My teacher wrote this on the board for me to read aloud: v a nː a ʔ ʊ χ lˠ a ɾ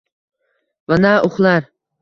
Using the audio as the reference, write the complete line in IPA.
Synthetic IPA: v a n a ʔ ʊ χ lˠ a ɾ